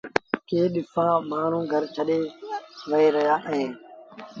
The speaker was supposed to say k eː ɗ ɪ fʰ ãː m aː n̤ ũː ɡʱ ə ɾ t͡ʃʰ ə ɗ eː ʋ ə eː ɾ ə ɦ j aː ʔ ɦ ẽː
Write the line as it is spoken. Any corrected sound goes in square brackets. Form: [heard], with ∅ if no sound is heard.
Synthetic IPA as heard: k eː ɗ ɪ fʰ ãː m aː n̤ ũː ɡʱ ə ɾ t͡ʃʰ ə ɗ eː ʋ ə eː ɾ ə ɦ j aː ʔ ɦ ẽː